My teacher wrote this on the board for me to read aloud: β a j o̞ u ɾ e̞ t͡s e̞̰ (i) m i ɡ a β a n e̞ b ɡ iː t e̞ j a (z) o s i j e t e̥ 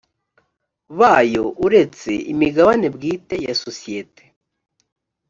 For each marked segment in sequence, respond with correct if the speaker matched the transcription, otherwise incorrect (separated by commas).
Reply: correct, incorrect